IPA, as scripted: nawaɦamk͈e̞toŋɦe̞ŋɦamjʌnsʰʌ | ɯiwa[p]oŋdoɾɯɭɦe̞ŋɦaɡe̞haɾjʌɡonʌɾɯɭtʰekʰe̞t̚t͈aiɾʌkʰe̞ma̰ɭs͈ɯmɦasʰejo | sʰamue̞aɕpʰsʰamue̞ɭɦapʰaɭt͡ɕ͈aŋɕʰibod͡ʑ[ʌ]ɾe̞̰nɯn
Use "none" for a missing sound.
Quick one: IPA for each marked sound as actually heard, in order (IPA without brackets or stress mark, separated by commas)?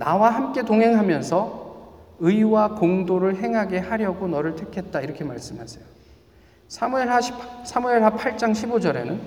k, ʌ